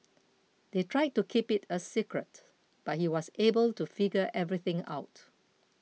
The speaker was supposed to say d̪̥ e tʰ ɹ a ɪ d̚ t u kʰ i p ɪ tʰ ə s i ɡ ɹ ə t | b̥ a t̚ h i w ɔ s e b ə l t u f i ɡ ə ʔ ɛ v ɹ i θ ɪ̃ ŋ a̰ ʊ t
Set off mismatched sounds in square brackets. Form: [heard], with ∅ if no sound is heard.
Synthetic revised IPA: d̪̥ e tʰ ɹ a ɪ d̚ t u kʰ i p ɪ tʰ ə s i [k] ɹ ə t | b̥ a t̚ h i w ɔ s e b ə l t u f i ɡ ə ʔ ɛ v ɹ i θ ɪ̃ ŋ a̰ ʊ t